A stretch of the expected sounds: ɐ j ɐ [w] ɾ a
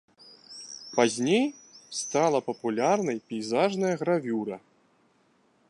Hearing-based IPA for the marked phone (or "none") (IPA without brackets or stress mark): ɣ